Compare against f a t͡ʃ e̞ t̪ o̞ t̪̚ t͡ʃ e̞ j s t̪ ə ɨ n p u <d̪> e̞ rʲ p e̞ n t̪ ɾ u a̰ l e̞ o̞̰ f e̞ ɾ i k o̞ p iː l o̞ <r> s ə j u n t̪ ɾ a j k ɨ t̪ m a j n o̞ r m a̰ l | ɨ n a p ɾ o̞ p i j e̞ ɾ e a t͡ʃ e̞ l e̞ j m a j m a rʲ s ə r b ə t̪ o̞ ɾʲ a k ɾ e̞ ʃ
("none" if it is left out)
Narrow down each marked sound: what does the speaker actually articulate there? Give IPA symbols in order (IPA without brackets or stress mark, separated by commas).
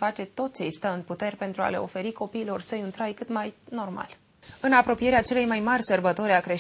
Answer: t̪, r